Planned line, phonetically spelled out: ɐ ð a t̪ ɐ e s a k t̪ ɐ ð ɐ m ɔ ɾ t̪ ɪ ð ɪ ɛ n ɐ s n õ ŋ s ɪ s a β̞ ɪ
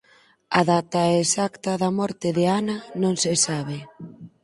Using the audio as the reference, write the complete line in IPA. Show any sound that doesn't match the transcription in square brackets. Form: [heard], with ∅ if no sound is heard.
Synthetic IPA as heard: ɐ ð a t̪ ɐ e s a k t̪ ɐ ð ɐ m ɔ ɾ t̪ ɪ ð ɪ [a] n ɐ [∅] n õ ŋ s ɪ s a β̞ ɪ

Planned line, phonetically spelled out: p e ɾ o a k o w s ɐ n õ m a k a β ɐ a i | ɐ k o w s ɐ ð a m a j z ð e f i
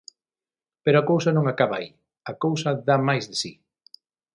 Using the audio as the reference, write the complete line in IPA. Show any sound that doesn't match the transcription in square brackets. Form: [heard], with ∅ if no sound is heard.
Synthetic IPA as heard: p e ɾ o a k o w s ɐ n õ [ŋ] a k a β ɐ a i | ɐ k o w s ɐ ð a m a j z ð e [s] i

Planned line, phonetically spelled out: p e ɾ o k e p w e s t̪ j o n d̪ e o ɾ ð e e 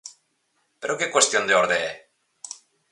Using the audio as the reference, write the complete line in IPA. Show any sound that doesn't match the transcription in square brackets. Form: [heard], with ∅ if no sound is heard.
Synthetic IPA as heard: p e ɾ o k e [k] w e s t̪ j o n d̪ e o ɾ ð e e

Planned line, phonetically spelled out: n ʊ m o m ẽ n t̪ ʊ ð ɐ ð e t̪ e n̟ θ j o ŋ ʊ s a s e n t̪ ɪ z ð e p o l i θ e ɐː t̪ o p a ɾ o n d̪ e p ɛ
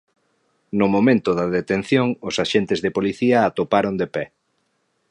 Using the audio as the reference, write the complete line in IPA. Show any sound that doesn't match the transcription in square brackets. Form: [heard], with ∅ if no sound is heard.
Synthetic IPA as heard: n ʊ m o m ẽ n t̪ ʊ ð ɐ ð e t̪ e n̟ θ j o ŋ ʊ s a [ʃ] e n t̪ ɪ z ð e p o l i θ [i] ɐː t̪ o p a ɾ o n d̪ e p ɛ

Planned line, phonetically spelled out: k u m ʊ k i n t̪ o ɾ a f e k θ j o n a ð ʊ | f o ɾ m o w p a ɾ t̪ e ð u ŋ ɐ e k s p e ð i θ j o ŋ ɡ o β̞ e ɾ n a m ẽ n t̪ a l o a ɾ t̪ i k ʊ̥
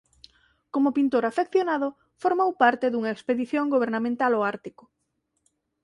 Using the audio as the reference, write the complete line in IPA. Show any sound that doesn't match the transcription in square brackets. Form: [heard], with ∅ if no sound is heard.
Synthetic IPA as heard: k [o] m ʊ [p] i n t̪ o ɾ a f e k θ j o n a ð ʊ | f o ɾ m o w p a ɾ t̪ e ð u ŋ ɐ e k s p e ð i θ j o ŋ ɡ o β̞ e ɾ n a m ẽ n t̪ a l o a ɾ t̪ i k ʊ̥

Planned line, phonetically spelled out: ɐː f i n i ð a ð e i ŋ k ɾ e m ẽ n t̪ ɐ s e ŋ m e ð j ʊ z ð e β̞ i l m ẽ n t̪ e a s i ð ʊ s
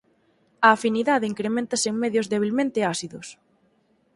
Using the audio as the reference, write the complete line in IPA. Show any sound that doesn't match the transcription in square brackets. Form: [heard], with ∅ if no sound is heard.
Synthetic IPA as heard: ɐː f i n i ð a ð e i ŋ k ɾ e m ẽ n t̪ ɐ s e ŋ m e ð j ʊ z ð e β̞ i l m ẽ n t̪ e a s i ð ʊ s

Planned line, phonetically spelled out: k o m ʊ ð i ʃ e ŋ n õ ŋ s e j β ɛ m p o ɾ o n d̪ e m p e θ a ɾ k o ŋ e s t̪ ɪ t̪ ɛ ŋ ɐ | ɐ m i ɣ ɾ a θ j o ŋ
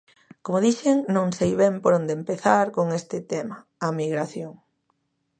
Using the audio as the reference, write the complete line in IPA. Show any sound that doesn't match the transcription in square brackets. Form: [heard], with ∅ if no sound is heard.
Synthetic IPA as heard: k o m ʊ ð i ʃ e ŋ n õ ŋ s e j β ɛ m p o ɾ o n d̪ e m p e θ a ɾ k o ŋ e s t̪ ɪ t̪ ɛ [m] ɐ | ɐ m i ɣ ɾ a θ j o ŋ

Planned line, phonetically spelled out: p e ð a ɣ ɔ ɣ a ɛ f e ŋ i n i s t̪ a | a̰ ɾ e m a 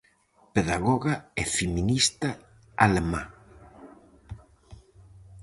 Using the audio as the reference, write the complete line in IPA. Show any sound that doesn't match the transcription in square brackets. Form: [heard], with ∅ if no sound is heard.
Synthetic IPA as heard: p e ð a ɣ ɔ ɣ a ɛ f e [m] i n i s t̪ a | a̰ [l] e m a

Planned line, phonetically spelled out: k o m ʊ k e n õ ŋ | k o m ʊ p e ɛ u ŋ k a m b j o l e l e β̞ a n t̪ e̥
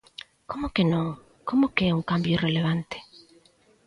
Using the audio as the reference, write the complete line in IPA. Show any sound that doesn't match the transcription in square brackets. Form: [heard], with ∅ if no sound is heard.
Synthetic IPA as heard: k o m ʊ k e n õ ŋ | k o m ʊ [k] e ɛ u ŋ k a m b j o [r] e l e β̞ a n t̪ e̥

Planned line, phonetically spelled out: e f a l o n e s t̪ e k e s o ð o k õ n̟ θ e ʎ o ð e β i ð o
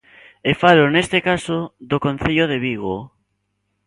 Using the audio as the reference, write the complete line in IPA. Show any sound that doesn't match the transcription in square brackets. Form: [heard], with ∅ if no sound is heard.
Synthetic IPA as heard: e f a l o n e s t̪ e k [a] s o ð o k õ n̟ θ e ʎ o ð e β i [ɣ] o

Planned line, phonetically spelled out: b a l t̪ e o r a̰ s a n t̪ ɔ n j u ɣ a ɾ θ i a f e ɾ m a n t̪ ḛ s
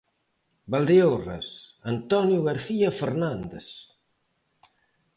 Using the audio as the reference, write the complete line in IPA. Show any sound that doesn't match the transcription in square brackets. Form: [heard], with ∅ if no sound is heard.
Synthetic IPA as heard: b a l [d̪] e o r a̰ s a n t̪ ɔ n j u ɣ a ɾ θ i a f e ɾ [n] a n [d̪] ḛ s

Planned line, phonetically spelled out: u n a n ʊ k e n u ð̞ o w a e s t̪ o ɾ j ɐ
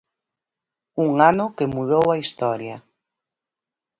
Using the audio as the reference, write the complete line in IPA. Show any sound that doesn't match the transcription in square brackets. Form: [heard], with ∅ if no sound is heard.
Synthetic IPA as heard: u [ŋ] a n ʊ k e [m] u ð̞ o w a [i] s t̪ [ɔ] ɾ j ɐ

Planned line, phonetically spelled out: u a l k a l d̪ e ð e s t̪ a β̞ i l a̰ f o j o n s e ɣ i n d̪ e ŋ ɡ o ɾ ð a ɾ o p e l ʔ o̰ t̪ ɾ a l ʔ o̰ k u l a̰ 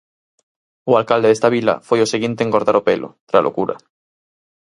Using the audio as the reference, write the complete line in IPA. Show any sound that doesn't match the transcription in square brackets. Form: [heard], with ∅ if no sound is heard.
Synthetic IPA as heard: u a l k a l d̪ e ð e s t̪ a β̞ i l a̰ f o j o [∅] s e ɣ i n [t̪] e ŋ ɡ o ɾ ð a ɾ o p e l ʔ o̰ t̪ ɾ a l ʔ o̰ k u [ɾ] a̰

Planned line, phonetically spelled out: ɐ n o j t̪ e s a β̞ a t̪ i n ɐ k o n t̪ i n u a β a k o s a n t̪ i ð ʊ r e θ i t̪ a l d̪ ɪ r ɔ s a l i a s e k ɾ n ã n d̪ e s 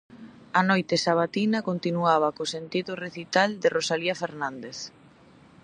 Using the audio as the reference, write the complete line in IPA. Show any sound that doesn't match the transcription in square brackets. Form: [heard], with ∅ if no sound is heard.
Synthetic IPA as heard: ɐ n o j t̪ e s a β̞ a t̪ i n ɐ k o n t̪ i n u a β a k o s [e] n t̪ i ð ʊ r e θ i t̪ a l d̪ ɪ r [o] s a l i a [f] e [∅] ɾ n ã n d̪ e [θ]

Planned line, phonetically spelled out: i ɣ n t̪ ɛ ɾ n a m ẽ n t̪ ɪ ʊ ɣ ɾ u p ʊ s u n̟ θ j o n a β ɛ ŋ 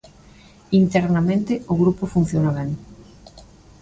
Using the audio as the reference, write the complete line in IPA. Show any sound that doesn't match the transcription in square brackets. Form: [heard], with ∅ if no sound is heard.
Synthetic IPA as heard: i [∅] n t̪ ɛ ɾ n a m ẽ n t̪ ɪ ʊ ɣ ɾ u p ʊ [f] u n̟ θ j o n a β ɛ ŋ

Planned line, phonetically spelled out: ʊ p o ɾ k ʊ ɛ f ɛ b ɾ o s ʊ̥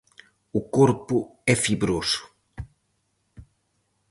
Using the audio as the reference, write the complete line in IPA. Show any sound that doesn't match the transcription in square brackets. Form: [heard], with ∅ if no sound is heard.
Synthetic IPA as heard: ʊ [k] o ɾ [p] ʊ ɛ f [i] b ɾ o s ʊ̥

